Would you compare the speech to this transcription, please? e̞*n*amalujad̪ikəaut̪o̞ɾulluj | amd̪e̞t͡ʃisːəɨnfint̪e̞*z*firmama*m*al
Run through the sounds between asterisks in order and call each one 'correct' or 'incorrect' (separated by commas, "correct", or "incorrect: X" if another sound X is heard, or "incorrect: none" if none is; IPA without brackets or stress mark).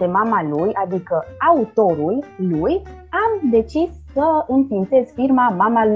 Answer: incorrect: m, correct, correct